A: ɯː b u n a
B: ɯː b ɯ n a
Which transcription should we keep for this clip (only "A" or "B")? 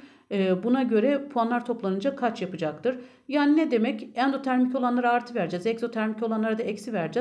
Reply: A